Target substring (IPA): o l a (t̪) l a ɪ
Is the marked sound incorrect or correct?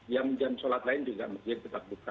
correct